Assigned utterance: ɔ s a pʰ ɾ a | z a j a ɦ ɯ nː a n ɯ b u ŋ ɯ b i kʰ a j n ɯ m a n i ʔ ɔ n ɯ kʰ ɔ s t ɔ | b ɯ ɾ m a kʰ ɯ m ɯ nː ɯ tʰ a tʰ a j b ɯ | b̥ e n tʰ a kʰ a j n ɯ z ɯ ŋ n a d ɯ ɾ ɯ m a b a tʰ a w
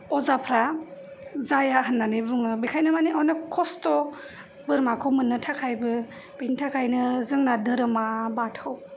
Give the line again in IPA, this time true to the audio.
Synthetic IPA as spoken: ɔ z a pʰ ɾ a | z a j a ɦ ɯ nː a n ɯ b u ŋ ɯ b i kʰ a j n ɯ m a n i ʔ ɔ n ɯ kʰ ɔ s t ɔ | b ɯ ɾ m a kʰ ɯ m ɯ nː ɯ tʰ a kʰ a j b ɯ | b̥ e n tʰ a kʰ a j n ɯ z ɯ ŋ n a d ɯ ɾ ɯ m a b a tʰ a w